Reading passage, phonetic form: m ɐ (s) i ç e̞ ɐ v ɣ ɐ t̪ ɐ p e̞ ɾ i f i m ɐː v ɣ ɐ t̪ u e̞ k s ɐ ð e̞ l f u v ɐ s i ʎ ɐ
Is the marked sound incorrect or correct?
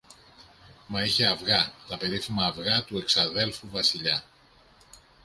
incorrect